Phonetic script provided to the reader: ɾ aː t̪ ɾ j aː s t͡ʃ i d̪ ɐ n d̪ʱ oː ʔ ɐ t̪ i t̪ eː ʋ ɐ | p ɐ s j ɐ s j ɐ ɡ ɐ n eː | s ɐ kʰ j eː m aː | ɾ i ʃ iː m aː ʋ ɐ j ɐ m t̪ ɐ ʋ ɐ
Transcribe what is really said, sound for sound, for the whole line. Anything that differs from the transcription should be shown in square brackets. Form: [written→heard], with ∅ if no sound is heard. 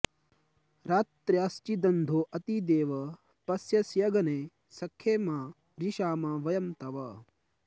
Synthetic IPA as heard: ɾ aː t̪ ɾ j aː s t͡ʃ i d̪ ɐ n d̪ʱ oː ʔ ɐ t̪ i [t̪→d̪] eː ʋ ɐ | p ɐ s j ɐ s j ɐ ɡ ɐ n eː | s ɐ kʰ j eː m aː | ɾ i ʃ [iː→aː] m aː ʋ ɐ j ɐ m t̪ ɐ ʋ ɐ